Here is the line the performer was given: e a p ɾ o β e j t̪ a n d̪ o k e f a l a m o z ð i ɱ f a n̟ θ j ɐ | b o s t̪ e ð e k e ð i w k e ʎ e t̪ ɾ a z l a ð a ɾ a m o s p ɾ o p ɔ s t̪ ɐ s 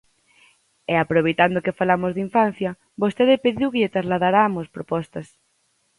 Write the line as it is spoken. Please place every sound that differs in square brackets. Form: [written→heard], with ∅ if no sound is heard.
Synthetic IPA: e a p ɾ o β e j t̪ a n d̪ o k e f a l a m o z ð i ɱ f a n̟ θ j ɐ | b o s t̪ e ð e [k→p] e ð i w k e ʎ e t̪ ɾ a z l a ð a ɾ a m o s p ɾ o p ɔ s t̪ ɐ s